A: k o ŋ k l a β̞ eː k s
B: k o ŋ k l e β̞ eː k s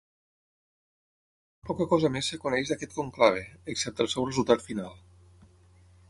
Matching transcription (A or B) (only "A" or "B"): A